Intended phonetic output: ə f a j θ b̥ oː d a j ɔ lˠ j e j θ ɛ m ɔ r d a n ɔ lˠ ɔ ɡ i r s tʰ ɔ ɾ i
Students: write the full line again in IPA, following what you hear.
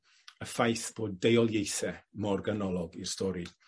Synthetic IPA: ə f a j θ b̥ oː d e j ɔ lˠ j e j θ ɛ m ɔ r ɡ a n ɔ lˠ ɔ ɡ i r s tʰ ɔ ɾ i